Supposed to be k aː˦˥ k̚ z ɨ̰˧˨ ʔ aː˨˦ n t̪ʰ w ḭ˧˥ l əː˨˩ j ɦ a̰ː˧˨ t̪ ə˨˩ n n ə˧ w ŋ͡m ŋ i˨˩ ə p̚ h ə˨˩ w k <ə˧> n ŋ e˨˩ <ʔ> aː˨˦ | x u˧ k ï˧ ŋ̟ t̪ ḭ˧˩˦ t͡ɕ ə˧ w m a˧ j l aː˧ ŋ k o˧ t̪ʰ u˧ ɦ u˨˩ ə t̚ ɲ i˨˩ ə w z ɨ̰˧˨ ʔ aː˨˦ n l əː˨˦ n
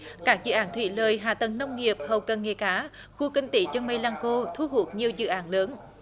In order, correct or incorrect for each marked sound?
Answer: incorrect: ə˨˩, incorrect: k

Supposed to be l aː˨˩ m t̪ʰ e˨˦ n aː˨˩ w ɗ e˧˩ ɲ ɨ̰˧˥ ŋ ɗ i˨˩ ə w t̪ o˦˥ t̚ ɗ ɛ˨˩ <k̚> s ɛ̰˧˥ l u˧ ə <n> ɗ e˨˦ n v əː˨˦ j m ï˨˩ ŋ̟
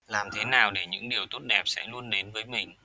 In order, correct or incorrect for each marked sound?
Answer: incorrect: p̚, correct

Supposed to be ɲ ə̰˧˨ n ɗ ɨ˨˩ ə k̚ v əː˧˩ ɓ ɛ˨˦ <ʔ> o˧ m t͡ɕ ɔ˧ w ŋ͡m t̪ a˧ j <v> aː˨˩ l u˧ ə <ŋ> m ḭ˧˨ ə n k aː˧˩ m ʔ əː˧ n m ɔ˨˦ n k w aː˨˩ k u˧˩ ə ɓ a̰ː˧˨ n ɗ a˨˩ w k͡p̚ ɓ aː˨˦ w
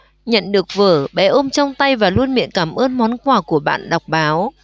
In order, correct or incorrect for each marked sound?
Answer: correct, correct, incorrect: n

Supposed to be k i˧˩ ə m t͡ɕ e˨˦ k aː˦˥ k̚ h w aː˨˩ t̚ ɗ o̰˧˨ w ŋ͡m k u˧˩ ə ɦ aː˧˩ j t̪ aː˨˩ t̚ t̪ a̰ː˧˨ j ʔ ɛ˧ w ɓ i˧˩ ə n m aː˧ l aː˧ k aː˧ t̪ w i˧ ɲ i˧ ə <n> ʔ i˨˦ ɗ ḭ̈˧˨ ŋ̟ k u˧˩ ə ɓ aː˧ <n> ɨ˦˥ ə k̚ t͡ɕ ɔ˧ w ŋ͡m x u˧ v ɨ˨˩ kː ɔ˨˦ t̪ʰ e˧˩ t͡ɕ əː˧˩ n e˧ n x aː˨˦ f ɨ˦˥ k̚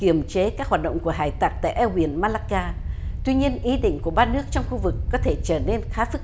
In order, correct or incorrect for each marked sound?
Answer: correct, correct

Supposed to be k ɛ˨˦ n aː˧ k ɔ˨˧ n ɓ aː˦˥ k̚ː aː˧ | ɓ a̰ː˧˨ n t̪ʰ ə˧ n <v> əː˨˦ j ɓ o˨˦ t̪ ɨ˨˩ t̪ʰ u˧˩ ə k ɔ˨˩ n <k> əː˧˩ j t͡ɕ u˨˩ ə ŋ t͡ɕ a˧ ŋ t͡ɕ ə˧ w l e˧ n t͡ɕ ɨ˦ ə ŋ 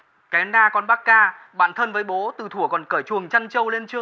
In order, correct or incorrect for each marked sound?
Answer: correct, correct

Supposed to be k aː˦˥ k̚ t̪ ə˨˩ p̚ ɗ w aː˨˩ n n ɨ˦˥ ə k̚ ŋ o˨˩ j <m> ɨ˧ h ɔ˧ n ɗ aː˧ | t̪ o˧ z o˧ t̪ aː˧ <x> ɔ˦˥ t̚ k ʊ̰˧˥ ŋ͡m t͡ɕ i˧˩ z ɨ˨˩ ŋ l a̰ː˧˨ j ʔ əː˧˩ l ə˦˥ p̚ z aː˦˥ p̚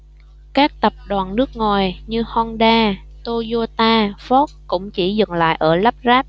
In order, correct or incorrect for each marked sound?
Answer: incorrect: ɲ, incorrect: f

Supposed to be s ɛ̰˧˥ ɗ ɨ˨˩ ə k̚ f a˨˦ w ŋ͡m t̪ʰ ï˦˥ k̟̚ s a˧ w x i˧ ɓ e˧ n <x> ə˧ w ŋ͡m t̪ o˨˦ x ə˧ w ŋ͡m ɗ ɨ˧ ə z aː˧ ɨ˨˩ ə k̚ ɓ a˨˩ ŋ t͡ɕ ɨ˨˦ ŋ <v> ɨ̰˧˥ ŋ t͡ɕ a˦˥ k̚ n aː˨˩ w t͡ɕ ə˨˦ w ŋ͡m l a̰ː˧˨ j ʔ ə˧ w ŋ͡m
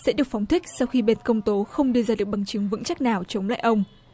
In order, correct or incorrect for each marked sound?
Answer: incorrect: k, correct

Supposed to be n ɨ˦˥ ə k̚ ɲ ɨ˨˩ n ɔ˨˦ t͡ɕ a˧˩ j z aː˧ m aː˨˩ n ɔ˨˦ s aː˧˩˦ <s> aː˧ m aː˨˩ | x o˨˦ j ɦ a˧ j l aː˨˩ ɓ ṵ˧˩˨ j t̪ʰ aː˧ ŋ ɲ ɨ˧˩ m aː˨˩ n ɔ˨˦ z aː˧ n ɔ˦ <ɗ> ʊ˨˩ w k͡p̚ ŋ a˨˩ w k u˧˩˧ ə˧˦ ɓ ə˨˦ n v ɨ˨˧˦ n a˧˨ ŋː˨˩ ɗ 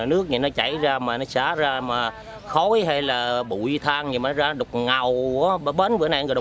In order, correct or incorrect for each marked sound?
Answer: incorrect: z, correct

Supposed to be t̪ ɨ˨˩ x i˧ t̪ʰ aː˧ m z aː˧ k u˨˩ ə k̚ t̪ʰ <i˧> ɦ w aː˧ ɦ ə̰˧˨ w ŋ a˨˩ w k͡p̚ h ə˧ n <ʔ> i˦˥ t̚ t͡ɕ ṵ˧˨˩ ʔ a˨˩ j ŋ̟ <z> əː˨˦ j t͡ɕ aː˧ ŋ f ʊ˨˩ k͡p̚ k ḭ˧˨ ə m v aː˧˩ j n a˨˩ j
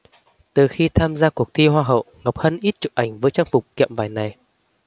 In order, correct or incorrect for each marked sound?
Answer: correct, correct, incorrect: v

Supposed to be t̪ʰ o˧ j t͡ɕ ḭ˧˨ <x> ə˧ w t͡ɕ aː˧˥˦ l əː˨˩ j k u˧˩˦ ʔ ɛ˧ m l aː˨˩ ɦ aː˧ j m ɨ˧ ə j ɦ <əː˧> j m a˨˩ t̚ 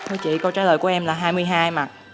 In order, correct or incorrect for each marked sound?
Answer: incorrect: k, incorrect: aː˧

